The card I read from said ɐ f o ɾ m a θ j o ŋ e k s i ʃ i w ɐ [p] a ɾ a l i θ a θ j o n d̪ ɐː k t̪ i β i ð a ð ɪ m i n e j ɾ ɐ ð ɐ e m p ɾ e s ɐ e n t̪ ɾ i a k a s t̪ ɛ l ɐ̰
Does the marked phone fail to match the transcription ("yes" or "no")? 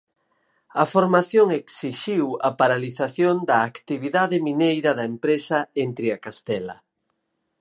no